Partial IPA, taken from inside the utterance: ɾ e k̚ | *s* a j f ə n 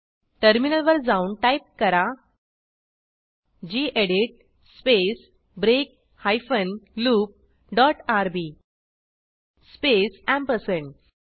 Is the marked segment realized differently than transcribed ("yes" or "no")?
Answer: yes